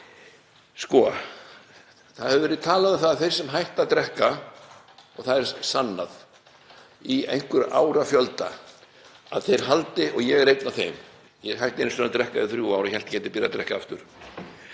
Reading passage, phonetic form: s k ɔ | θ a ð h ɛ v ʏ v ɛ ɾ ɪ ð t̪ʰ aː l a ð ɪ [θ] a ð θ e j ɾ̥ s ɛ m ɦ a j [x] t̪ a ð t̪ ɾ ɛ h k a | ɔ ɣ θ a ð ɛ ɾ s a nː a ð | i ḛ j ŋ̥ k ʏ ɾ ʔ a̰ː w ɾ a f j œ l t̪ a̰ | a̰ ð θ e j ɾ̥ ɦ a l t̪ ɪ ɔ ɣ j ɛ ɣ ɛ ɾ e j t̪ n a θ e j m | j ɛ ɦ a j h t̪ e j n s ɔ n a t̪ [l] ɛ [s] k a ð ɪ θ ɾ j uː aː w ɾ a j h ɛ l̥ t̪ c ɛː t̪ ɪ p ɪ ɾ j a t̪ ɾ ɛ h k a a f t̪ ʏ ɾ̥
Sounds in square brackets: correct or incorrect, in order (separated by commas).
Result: correct, incorrect, incorrect, incorrect